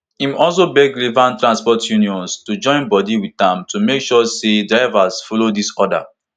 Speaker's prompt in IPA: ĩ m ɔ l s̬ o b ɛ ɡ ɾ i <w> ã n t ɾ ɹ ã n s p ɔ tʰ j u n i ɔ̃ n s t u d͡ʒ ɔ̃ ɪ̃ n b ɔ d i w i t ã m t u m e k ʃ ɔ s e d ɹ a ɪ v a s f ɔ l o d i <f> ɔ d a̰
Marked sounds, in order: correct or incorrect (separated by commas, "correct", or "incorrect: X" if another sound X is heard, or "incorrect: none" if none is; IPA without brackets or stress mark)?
incorrect: v, incorrect: s